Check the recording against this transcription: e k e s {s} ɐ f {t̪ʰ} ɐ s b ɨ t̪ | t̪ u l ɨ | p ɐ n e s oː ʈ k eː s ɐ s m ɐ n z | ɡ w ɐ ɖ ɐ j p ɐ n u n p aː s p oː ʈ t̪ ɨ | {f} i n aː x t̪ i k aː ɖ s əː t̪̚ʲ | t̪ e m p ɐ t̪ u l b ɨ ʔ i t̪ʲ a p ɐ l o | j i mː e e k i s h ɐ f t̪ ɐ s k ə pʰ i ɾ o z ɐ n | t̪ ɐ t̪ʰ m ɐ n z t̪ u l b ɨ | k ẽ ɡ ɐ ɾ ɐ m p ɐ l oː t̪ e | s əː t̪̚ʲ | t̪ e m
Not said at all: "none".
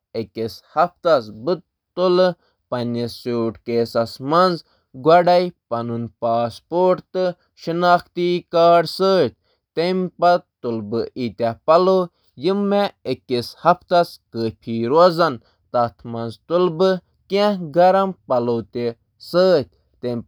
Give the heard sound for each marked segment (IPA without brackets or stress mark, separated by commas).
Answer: h, t̪, ʃ